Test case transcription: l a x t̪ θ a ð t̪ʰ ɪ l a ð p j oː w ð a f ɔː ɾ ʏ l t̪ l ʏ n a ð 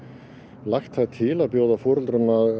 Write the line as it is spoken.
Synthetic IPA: l a x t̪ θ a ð t̪ʰ ɪ l a ð p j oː w ð a f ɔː ɾ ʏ l t̪ ɾ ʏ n a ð